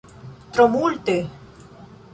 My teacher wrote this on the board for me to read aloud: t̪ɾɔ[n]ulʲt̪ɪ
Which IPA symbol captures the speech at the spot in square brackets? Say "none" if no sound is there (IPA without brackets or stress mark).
m